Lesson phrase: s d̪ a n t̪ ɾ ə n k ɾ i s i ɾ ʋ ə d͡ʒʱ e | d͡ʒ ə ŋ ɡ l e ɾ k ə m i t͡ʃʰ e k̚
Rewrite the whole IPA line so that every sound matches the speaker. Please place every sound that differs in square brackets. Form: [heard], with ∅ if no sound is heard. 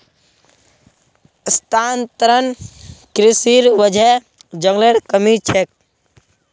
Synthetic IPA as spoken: s [t̪] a n t̪ ɾ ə n k ɾ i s i ɾ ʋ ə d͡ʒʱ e | d͡ʒ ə ŋ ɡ l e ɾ k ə m i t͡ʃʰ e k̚